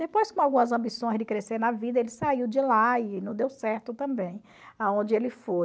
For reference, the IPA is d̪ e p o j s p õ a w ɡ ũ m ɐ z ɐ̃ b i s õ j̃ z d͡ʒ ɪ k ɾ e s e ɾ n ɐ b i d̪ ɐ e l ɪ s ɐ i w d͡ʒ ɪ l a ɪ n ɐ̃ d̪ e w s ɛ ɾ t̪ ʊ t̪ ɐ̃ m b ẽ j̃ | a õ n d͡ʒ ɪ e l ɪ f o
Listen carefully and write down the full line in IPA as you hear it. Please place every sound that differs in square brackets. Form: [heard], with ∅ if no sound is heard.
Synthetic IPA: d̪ e p o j s [k] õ a w ɡ ũ m ɐ z ɐ̃ b i s õ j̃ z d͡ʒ ɪ k ɾ e s e ɾ n ɐ [v] i d̪ ɐ e l ɪ s [a] i w d͡ʒ ɪ l a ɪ n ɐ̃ d̪ e w s ɛ ɾ t̪ ʊ t̪ ɐ̃ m b ẽ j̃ | a õ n d͡ʒ ɪ e l ɪ f o